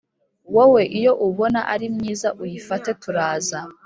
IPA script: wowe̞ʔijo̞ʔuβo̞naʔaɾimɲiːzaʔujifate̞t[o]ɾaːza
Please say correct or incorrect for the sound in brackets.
incorrect: u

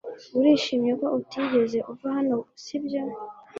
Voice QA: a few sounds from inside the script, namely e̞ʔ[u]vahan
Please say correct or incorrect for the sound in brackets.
correct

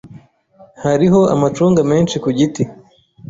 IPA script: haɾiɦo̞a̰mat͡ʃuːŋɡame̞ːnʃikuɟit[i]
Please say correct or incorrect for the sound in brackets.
correct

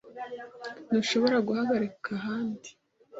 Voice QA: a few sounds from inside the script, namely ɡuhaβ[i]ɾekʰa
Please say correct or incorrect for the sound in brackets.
incorrect: a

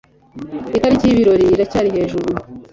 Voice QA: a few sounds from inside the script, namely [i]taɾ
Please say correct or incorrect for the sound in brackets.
correct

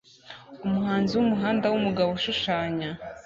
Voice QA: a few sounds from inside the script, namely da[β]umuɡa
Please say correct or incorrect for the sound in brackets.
incorrect: w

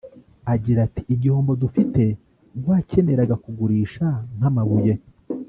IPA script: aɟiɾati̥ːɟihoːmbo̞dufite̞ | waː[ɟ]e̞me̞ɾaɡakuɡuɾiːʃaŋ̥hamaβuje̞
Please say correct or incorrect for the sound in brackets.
incorrect: c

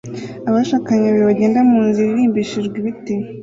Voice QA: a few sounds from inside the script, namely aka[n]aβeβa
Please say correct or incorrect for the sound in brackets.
incorrect: ɲ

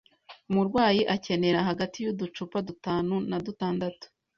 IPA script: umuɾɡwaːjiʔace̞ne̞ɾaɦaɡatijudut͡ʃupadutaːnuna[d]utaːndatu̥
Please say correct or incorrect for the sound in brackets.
correct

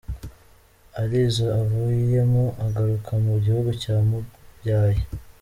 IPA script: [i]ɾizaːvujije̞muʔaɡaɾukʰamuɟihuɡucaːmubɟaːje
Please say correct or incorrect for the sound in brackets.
incorrect: a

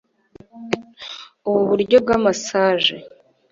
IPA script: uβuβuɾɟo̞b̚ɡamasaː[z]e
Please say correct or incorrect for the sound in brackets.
incorrect: ʒ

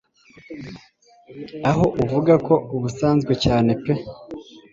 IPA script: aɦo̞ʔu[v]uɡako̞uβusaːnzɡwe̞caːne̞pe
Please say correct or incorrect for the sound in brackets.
correct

